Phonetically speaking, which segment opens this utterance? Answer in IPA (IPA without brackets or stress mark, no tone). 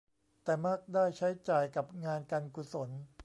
t̪